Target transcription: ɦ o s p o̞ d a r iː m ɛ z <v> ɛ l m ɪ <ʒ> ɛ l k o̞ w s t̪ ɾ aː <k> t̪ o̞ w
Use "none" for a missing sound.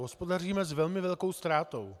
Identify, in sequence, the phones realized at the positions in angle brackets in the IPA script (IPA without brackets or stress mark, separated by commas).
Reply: v, v, none